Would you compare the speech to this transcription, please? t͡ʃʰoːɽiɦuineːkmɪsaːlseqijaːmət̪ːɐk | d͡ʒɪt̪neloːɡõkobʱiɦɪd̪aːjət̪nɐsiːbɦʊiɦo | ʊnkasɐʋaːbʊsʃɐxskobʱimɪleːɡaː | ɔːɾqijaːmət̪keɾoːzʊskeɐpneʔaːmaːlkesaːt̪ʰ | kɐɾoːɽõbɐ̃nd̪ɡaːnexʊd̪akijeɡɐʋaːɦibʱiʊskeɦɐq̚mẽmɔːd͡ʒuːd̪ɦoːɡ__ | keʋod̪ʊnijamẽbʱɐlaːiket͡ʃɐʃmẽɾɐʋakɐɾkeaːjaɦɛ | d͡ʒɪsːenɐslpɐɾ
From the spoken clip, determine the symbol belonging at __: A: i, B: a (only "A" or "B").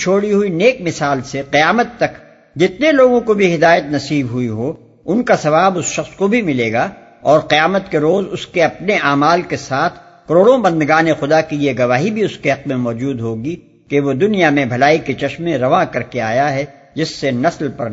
A